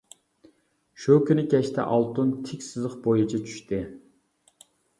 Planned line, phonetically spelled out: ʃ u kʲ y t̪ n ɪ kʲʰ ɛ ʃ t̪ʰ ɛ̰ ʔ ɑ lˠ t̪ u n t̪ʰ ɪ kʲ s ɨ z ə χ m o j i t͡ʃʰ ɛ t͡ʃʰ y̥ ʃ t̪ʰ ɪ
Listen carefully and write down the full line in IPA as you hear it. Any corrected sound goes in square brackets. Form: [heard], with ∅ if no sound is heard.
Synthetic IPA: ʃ u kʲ y [∅] n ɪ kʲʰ ɛ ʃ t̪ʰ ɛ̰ ʔ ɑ lˠ t̪ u n t̪ʰ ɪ kʲ s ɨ z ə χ [b] o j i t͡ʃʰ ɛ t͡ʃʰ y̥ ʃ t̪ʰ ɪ